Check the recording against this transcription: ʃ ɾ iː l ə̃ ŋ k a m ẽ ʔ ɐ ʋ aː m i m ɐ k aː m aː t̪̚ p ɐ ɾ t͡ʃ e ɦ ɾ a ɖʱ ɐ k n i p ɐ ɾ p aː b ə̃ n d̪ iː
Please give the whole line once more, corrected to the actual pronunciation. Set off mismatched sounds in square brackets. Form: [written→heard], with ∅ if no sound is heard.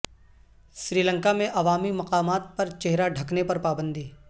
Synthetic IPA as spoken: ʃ ɾ iː l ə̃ ŋ k a m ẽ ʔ ɐ ʋ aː m i m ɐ [k→q] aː m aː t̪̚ p ɐ ɾ t͡ʃ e ɦ ɾ a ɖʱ ɐ k n [i→e] p ɐ ɾ p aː b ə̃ n d̪ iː